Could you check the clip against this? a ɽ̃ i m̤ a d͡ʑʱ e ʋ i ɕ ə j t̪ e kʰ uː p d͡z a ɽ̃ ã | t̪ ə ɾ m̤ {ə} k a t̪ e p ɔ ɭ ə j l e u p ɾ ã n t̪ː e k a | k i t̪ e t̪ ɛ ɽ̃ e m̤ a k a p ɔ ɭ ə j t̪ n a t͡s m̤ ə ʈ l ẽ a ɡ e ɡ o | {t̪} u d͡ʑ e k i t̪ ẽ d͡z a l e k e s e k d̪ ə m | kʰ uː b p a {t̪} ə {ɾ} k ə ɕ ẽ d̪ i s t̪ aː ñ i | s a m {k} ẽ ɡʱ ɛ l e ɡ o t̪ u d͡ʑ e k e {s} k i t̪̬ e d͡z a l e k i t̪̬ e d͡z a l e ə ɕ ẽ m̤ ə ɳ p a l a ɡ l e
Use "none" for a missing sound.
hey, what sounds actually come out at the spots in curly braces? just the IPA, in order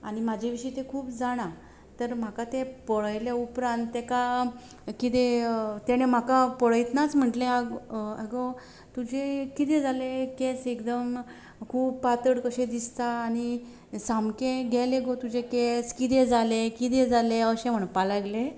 a, t̪, t̪, ɽ, k, s

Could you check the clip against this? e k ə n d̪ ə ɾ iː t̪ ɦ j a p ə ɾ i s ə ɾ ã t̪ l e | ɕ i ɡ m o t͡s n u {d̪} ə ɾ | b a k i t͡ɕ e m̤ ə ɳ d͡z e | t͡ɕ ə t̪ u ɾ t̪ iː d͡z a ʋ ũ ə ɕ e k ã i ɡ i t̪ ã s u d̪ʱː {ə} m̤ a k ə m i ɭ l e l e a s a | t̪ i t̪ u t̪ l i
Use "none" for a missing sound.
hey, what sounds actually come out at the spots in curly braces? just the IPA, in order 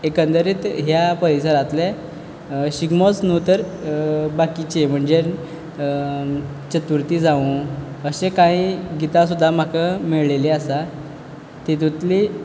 t̪, a

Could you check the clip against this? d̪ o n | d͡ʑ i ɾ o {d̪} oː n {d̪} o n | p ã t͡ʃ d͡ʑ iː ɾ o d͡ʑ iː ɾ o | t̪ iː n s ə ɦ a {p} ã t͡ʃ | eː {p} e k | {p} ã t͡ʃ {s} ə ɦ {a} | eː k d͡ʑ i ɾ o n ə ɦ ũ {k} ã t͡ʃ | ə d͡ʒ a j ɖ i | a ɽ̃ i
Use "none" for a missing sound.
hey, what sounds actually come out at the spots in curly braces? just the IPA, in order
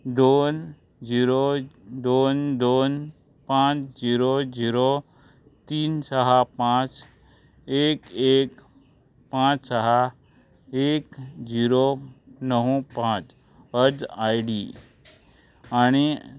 d̪, d̪, p, k, p, s, a, p

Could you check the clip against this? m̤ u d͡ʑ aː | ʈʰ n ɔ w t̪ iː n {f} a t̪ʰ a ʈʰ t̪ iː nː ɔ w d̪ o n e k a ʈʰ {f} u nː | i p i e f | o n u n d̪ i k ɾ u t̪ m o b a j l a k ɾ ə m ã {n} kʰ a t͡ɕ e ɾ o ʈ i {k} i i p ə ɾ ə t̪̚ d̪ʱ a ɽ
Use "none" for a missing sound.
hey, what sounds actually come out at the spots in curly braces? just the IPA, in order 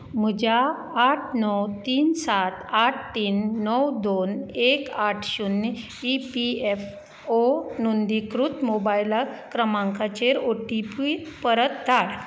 s, ɕ, ŋ, p

